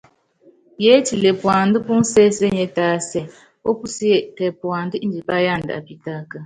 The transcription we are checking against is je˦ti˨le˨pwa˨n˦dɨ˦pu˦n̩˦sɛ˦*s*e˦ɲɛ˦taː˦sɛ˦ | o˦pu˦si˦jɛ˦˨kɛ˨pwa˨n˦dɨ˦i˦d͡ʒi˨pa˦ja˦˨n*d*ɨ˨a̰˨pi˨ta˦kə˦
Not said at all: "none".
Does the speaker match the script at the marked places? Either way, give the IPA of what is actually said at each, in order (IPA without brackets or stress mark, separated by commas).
s, d